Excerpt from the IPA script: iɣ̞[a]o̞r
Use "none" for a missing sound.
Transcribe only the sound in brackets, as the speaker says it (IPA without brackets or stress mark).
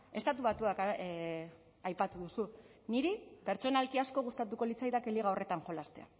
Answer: a